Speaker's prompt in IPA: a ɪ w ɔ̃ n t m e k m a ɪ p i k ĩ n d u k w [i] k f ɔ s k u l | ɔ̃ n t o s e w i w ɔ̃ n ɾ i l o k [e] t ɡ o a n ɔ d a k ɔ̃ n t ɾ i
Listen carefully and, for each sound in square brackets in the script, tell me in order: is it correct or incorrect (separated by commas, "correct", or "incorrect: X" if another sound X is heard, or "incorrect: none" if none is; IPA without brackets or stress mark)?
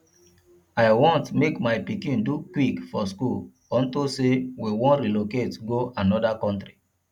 correct, correct